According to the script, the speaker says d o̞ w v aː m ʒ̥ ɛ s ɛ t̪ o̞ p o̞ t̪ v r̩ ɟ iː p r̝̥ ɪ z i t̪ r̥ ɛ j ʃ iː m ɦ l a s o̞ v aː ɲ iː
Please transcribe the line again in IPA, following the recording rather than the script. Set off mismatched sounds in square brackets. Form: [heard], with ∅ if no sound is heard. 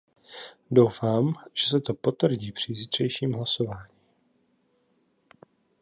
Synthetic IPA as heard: d o̞ w [f] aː m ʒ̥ ɛ s ɛ t̪ o̞ p o̞ t̪ v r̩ ɟ iː p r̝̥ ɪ z i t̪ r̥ ɛ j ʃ iː m ɦ l a s o̞ v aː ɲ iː